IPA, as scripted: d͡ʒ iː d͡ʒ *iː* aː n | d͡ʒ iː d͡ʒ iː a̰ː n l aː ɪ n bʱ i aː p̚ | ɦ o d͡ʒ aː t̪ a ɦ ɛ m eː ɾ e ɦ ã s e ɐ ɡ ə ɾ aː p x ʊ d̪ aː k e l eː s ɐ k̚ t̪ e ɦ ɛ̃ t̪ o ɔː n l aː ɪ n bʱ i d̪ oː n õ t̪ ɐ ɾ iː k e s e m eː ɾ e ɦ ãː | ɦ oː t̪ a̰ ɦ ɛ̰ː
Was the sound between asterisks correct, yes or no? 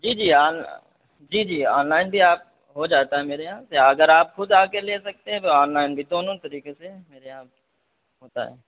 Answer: yes